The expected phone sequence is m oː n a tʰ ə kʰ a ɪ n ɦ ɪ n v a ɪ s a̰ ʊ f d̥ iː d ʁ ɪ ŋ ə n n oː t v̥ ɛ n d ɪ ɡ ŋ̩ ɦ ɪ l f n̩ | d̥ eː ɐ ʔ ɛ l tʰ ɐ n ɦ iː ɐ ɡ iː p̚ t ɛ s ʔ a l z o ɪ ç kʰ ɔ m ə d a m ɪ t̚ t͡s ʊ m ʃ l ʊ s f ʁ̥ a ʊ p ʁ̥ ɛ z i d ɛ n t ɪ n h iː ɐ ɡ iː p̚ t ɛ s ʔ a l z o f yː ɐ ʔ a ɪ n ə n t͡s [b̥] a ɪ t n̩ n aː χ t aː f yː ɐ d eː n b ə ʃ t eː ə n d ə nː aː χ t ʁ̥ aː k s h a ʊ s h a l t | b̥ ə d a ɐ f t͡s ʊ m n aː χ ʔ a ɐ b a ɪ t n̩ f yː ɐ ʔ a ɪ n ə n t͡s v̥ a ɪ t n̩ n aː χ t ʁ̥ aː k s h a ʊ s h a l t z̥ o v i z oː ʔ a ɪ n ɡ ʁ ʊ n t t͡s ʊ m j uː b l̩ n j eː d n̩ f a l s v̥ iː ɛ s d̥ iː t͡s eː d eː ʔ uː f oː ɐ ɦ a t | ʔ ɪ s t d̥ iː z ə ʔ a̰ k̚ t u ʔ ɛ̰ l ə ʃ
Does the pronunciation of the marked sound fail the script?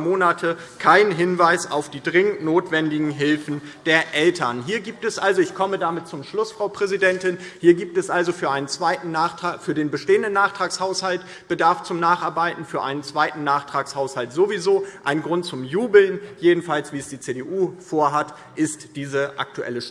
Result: yes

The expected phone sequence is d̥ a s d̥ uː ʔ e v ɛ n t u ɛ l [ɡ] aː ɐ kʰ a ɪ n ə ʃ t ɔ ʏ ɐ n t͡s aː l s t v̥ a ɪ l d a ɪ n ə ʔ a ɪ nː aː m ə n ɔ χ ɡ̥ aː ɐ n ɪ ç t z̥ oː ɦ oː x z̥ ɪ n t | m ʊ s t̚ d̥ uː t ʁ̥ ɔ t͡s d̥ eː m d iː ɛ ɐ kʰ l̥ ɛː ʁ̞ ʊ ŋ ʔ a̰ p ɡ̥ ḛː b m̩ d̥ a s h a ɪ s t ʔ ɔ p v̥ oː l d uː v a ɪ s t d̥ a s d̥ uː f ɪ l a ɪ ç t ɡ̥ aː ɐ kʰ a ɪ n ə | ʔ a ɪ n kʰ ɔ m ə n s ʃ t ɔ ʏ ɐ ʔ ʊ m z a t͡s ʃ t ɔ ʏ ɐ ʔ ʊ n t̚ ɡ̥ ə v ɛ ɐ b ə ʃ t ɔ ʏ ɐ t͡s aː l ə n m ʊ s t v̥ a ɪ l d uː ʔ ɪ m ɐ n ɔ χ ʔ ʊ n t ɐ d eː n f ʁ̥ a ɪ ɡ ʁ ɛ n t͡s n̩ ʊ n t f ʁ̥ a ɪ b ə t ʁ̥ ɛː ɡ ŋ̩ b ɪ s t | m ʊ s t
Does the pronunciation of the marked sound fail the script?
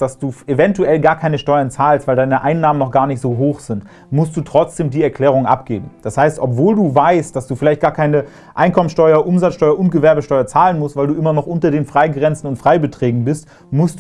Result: no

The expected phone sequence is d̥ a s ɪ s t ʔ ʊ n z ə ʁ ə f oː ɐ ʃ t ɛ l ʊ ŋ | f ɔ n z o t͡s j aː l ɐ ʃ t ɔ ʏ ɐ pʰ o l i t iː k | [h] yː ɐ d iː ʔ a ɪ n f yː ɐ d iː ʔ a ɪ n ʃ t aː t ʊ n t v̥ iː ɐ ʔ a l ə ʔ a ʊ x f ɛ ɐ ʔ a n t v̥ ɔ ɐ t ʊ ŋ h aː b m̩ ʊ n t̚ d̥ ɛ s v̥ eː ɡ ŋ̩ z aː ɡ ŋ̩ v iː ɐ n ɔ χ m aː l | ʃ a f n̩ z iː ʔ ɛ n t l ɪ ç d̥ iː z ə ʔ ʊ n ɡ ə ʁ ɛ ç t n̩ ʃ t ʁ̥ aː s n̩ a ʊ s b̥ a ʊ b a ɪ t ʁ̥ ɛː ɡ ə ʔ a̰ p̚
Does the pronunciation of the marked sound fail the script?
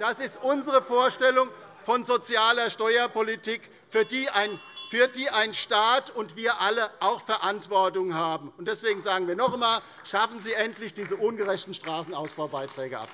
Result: yes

